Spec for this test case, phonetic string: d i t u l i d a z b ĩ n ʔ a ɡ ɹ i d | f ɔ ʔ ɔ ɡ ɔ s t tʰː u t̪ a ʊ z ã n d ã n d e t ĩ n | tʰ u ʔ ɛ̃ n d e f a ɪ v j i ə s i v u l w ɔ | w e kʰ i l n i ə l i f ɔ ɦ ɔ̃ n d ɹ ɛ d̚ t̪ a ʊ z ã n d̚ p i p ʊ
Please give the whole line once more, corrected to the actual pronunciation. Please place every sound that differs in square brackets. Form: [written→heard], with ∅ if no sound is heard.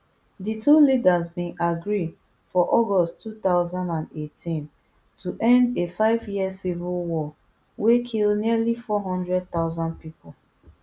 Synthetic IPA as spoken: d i t u l i d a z b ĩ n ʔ a ɡ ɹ i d | f ɔ ʔ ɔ ɡ ɔ s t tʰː u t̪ a ʊ z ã n d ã n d e t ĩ n | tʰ u ʔ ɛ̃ n d e f a ɪ v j i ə s i v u l w ɔ | w e kʰ i l n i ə l i f ɔ ɦ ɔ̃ n d ɹ ɛ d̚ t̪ a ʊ z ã n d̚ p i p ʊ